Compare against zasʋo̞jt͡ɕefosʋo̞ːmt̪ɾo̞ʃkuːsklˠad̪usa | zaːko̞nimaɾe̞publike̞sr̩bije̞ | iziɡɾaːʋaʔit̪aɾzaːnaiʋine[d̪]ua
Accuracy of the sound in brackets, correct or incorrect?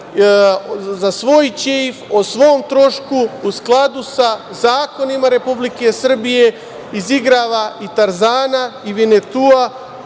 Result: incorrect